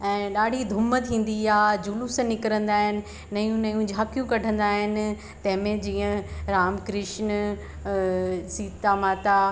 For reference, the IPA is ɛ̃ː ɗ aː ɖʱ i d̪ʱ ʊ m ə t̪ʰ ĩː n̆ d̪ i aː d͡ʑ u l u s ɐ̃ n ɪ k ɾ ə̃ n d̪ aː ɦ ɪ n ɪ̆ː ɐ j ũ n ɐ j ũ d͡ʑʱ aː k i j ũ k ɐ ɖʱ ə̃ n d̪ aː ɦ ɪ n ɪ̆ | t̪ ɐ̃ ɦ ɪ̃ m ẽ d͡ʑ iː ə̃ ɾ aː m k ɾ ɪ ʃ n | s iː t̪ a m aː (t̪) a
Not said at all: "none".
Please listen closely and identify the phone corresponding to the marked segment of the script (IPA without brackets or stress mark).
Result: t̪